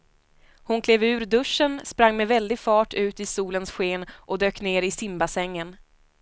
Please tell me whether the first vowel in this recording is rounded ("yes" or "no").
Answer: yes